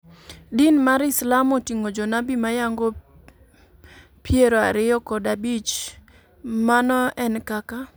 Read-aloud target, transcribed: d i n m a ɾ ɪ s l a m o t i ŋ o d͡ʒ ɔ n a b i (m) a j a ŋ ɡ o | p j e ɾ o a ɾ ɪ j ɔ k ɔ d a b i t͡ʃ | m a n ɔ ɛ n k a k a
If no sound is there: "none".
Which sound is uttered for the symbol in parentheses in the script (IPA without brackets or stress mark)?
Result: m